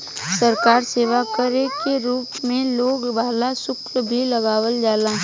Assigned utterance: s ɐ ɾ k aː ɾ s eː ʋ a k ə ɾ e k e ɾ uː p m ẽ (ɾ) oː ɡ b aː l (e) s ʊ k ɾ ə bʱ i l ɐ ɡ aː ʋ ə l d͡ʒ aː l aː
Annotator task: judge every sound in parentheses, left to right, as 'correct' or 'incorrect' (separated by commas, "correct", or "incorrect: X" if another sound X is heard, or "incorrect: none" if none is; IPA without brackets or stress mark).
incorrect: l, incorrect: a